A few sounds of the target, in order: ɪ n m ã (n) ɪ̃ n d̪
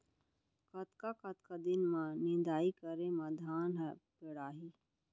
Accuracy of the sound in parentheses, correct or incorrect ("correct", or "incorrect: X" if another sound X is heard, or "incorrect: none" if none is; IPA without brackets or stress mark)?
correct